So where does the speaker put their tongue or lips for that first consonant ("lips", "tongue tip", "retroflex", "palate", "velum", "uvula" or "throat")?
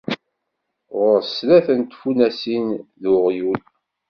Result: uvula